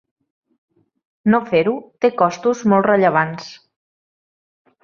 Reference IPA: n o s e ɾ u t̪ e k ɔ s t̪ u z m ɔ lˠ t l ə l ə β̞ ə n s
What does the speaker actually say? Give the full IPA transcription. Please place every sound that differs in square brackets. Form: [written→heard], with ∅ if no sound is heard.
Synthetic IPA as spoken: n o [s→f] e ɾ u t̪ e k ɔ s t̪ u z m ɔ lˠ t [l→r] ə [l→ʎ] ə β̞ [ə→a] n s

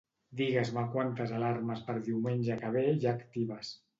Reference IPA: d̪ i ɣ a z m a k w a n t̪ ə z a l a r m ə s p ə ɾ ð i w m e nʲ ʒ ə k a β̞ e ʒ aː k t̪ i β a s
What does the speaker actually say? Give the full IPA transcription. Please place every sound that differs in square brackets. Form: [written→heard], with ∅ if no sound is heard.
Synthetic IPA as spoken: d̪ i ɣ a z m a k w a n t̪ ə z a l a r m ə s p ə ɾ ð i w m e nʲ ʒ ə k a β̞ e ʒ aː k t̪ i β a s

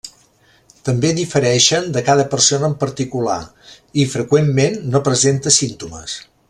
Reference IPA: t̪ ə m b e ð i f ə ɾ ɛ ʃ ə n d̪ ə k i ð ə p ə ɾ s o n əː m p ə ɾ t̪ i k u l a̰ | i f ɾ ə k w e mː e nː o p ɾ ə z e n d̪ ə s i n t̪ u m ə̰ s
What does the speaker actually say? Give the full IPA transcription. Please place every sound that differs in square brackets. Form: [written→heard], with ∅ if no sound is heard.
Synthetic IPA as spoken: t̪ ə m b e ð i f ə ɾ ɛ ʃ ə n d̪ ə k [i→a] ð ə p ə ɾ s o n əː m p ə ɾ t̪ i k u l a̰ | i f ɾ ə k w e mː e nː o p ɾ ə z e n [d̪→t̪] ə s i n t̪ u m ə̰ s

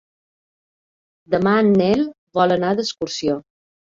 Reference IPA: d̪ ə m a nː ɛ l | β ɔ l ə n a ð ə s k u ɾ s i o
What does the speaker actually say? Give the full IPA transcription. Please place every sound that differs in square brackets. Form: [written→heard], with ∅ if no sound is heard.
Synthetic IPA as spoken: d̪ ə m a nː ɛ l | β ɔ l ə n a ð ə s k u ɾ s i o

